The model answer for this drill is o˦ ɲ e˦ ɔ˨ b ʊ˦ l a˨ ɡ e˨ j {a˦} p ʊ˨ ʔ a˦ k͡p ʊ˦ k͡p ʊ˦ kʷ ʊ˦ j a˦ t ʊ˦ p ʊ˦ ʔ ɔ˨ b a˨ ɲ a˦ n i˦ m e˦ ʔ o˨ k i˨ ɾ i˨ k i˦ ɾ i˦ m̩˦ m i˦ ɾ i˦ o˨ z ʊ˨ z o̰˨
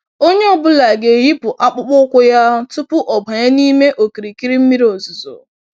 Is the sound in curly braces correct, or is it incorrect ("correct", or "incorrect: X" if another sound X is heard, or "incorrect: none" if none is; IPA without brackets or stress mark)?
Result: incorrect: i˦